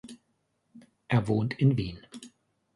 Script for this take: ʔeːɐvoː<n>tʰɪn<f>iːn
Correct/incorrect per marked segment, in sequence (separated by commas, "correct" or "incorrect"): correct, incorrect